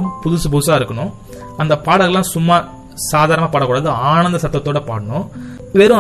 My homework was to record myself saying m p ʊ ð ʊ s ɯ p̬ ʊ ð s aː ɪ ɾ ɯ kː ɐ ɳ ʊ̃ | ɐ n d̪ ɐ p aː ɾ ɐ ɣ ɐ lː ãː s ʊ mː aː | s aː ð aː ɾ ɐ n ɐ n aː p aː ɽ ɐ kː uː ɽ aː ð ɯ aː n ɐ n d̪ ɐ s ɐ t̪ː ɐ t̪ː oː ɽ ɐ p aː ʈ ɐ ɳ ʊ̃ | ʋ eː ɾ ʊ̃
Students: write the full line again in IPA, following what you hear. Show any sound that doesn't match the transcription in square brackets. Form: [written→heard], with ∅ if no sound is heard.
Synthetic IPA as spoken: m p ʊ ð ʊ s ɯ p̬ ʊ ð s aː ɪ ɾ ɯ kː ɐ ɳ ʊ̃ | ɐ n d̪ ɐ p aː [ɾ→ɽ] ɐ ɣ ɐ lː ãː s ʊ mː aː | s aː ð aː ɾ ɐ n ɐ [n→m] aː p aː ɽ ɐ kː uː ɽ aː ð ɯ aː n ɐ n d̪ ɐ s ɐ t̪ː ɐ t̪ː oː ɽ ɐ p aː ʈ ɐ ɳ ʊ̃ | ʋ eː ɾ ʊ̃